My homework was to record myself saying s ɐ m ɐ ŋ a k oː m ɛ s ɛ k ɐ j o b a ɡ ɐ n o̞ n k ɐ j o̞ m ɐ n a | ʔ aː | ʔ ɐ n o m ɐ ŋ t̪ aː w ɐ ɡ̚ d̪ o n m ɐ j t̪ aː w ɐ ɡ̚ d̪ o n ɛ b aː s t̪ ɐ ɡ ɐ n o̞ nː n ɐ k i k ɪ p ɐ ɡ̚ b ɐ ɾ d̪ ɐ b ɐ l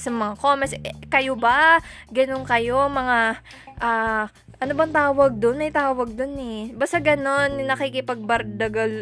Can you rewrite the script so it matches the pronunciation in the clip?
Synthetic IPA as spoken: s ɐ m ɐ ŋ a k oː m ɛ s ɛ k ɐ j o b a ɡ ɐ n o̞ n k ɐ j o̞ m ɐ ŋ a | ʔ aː | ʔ ɐ n o b ɐ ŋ t̪ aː w ɐ ɡ̚ d̪ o n m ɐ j t̪ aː w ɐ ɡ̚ d̪ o n ɛ b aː s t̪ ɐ ɡ ɐ n o̞ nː n ɐ k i k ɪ p ɐ ɡ̚ b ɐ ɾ d̪ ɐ ɡ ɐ l